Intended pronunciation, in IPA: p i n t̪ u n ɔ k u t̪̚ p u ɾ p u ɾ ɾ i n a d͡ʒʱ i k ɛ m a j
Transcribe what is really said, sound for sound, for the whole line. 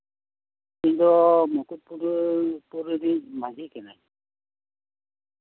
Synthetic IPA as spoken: k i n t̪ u m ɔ k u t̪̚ p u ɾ p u ɾ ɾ i m a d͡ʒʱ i k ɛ n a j

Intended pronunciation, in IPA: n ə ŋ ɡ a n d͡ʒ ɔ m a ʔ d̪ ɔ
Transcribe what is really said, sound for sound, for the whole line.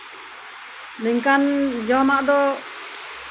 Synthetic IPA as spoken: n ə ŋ k a n d͡ʒ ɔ m a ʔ d̪ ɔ

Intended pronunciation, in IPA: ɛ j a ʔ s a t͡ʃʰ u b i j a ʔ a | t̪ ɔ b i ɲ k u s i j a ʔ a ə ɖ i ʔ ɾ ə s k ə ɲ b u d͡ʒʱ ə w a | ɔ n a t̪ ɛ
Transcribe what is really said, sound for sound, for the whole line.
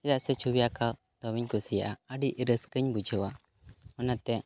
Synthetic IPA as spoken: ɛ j a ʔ s ɛ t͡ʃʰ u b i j a k a | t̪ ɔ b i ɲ k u s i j a ʔ a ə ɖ i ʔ ɾ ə s k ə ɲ b u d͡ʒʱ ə w a | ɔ n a t̪ ɛ

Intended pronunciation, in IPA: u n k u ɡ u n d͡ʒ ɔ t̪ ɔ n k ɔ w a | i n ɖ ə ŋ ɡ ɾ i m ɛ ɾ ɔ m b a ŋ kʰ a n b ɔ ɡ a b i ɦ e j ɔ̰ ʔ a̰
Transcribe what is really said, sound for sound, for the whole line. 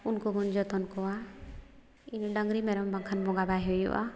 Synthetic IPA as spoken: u n k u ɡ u n d͡ʒ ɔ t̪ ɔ n k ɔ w a | i n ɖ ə ŋ ɡ ɾ i m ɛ ɾ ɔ m b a ŋ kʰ a n b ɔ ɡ a b a ɦ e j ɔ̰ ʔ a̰

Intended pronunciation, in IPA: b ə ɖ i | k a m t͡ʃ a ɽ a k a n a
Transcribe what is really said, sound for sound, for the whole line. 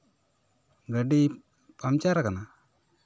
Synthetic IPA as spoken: ɡ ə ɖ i | p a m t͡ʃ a ɾ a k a n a

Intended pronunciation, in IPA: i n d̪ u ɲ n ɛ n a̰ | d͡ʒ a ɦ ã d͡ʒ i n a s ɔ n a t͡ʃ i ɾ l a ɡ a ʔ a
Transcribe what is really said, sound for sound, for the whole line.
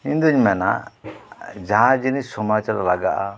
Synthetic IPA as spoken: i n d̪ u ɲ m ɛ n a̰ | d͡ʒ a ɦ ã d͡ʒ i n i s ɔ m a t͡ʃ a ɾ l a ɡ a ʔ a

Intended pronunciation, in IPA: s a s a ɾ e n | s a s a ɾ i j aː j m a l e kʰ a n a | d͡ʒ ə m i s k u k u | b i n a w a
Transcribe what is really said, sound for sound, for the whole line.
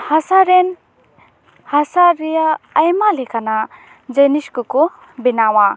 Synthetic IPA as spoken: h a s a ɾ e n | h a s a ɾ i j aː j m a l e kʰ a n a | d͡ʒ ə n i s k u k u | b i n a w a

